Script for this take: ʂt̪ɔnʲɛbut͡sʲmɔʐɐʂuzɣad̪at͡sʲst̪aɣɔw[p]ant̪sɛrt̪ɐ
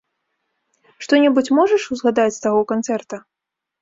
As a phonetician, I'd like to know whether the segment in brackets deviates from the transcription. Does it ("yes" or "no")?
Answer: yes